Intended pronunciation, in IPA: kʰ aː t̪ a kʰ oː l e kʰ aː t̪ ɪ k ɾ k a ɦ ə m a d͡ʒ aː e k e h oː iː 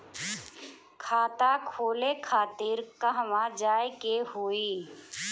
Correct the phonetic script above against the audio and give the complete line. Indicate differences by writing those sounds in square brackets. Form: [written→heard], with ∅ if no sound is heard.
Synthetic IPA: kʰ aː t̪ a kʰ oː l e kʰ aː t̪ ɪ [k→∅] ɾ k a ɦ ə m a d͡ʒ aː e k e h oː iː